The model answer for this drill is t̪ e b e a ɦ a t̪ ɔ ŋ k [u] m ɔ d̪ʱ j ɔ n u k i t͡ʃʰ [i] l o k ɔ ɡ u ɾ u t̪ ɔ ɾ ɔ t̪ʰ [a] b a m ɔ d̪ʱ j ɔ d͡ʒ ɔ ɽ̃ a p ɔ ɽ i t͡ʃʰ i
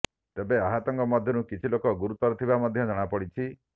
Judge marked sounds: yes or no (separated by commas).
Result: no, yes, no